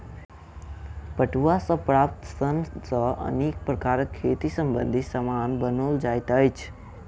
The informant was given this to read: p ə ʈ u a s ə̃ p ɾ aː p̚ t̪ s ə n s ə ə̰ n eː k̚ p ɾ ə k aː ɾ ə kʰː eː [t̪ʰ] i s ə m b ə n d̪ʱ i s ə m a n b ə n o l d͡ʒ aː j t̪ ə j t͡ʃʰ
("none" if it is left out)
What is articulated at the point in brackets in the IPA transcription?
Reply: t̪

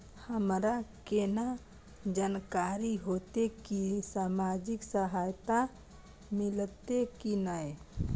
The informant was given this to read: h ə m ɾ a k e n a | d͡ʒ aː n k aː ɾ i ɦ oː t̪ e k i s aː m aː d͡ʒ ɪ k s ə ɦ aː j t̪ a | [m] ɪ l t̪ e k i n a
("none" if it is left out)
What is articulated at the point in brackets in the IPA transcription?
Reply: m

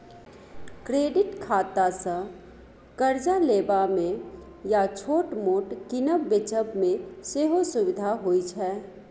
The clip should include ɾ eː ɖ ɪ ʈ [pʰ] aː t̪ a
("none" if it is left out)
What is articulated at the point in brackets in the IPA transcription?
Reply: kʰ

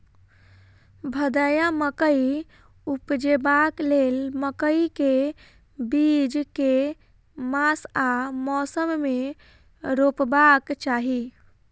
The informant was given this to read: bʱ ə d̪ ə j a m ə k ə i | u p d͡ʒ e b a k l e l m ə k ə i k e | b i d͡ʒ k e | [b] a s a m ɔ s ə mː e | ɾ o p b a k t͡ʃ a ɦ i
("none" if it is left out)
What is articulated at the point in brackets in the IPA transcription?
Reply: m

